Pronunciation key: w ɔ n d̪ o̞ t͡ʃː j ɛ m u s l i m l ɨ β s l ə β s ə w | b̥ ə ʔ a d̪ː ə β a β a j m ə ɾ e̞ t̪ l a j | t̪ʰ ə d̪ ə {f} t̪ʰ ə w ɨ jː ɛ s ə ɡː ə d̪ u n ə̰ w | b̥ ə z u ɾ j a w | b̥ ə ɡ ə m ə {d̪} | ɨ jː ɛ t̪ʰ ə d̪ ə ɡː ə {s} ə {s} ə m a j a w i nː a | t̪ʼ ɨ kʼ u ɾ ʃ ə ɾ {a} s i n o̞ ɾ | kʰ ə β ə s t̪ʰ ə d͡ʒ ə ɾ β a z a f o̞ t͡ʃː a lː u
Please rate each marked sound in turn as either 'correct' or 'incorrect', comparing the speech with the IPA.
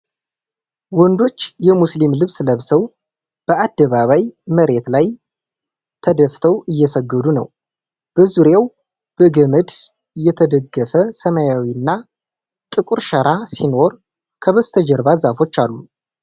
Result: correct, correct, incorrect: f, correct, correct

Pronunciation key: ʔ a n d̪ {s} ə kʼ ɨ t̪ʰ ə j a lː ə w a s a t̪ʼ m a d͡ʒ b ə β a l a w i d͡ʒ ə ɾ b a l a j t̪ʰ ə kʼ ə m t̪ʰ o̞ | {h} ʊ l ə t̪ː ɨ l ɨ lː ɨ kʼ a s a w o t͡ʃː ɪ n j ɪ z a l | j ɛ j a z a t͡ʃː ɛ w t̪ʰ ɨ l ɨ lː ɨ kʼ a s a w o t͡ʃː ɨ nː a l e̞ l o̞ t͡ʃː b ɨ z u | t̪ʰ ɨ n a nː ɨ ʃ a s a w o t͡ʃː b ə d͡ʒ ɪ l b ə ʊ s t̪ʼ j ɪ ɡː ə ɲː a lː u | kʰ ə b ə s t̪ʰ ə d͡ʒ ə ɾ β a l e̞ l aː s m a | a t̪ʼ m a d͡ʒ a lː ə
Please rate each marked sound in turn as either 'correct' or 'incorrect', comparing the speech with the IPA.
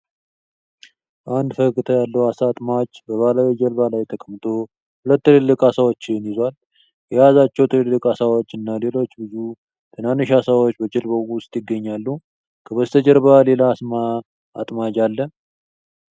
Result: incorrect: f, correct

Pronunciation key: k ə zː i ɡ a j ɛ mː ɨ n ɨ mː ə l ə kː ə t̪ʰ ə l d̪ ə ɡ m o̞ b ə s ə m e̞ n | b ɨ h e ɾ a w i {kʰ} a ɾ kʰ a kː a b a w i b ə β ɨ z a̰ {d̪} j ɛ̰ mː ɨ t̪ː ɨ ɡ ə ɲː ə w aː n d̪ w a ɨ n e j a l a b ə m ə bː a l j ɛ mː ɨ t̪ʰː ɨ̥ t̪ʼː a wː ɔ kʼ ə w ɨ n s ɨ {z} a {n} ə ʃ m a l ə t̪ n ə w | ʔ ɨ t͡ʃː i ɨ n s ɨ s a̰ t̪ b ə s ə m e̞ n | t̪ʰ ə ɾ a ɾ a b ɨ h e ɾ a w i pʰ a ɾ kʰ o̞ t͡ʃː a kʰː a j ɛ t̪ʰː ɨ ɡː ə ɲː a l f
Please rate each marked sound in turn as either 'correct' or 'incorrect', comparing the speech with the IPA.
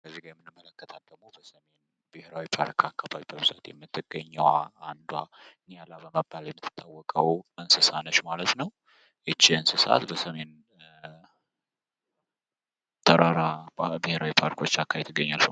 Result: incorrect: pʰ, incorrect: t̪, incorrect: s, correct

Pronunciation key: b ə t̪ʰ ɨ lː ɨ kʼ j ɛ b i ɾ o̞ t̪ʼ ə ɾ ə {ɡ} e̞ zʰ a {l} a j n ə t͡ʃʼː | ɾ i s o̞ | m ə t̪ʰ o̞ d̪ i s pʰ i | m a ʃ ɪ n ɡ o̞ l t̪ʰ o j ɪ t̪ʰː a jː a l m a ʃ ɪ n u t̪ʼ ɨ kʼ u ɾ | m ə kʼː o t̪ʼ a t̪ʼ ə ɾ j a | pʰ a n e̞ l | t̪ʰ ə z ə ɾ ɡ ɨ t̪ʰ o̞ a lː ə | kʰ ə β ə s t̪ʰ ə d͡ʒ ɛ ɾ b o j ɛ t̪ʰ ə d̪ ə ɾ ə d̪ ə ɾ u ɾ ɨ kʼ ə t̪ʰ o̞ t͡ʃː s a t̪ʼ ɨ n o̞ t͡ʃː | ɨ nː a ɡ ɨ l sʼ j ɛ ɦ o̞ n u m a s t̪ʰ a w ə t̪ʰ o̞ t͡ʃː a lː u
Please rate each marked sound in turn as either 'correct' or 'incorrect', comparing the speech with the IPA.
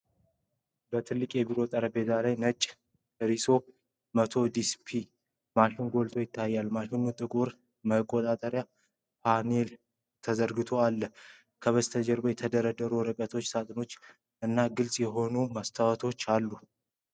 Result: incorrect: b, correct

